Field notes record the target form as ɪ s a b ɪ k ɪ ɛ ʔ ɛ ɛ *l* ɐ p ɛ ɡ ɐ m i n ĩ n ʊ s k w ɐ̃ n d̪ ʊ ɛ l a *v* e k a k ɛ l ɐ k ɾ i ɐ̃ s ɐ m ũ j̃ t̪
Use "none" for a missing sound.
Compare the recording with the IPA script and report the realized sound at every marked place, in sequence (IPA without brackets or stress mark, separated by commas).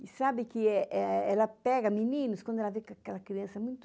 l, v